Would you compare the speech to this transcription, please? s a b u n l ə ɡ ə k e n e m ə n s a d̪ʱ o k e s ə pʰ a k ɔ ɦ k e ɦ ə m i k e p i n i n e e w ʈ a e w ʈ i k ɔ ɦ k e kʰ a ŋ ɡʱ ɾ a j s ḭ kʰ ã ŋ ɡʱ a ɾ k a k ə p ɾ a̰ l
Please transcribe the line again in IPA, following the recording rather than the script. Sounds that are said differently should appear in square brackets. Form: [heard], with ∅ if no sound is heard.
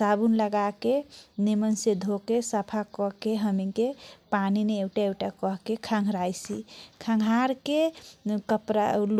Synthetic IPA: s a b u n l ə ɡ [a] k e n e m ə n s [e] d̪ʱ o k e s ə pʰ a k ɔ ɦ k e ɦ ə m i k e p [a] n i n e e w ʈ a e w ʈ [a] k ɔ ɦ k e kʰ a ŋ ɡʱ ɾ a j s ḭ kʰ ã ŋ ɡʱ a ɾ k [e] k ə p ɾ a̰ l